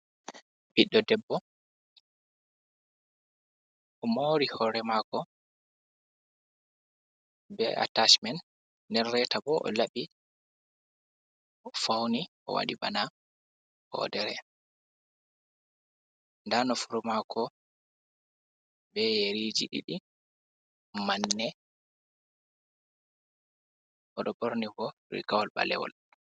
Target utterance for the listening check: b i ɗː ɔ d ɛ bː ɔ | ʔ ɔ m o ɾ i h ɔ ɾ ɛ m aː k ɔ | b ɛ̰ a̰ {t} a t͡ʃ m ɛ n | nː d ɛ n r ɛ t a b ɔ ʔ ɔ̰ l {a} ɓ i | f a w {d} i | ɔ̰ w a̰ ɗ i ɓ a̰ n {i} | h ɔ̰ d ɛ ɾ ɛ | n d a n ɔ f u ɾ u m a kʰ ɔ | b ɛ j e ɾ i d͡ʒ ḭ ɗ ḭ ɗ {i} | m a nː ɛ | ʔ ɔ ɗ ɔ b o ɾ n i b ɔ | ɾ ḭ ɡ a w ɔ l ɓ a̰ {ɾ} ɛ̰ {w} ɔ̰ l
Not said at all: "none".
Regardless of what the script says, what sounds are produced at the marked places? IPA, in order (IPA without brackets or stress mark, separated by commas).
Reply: t, a, n, a, i, l, w